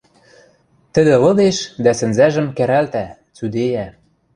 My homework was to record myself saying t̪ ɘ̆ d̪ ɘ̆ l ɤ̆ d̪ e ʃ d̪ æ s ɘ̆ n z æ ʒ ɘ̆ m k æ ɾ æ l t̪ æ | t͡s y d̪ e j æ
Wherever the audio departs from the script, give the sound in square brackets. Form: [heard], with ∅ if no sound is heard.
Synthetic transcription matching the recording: t̪ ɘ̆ d̪ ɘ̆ l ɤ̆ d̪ e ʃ d̪ æ s ɘ̆ n z æ ʒ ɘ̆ m k æ ɾ æ l t̪ æ | t͡s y d̪ e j æ